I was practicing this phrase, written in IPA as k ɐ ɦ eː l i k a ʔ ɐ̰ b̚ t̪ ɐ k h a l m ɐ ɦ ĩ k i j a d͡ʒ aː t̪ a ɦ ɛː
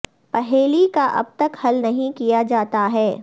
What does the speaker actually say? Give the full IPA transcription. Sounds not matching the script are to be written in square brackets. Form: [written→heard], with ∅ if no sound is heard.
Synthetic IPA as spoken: [k→p] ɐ ɦ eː l i k a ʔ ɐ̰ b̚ t̪ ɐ k h [a→ɐ] l [m→n] ɐ ɦ ĩ k i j a d͡ʒ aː t̪ a ɦ ɛː